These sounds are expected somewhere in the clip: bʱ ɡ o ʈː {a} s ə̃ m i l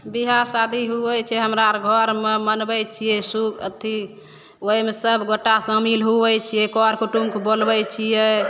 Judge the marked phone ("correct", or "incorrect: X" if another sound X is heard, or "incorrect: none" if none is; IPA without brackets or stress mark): correct